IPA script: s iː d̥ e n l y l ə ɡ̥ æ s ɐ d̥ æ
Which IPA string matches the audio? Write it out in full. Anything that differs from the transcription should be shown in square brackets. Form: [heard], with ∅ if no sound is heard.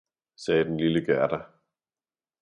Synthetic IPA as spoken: s [ɛː] d̥ e n l [i] l ə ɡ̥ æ [∅] ɐ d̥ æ